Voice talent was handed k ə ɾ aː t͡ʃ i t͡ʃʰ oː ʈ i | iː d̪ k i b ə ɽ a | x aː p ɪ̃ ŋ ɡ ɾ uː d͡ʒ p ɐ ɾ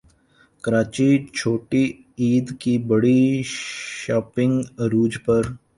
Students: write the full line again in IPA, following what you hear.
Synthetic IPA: k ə ɾ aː t͡ʃ i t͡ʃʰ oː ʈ i | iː d̪ k i b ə ɽ i | ʃ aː p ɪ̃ ŋ ɡ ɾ uː d͡ʒ p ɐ ɾ